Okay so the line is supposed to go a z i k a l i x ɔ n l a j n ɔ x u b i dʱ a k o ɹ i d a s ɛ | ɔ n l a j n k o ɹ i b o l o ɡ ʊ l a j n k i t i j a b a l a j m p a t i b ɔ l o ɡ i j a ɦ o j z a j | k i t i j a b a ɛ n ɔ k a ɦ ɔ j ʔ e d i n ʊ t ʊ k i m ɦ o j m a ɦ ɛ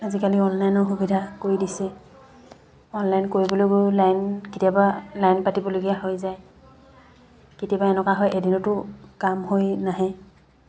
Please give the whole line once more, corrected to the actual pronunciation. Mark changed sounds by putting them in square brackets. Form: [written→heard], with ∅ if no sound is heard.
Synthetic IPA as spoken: a z i k a l i [x→∅] ɔ n l a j n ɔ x u b i dʱ a k o ɹ i d [a→i] s ɛ | ɔ n l a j n k o ɹ i b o l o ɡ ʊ l a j n k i t i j a b a l a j [m→n] p a t i b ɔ l o ɡ i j a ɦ o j z a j | k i t i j a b a ɛ n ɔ k a ɦ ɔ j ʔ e d i n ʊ t ʊ k [i→a] m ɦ o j [m→n] a ɦ ɛ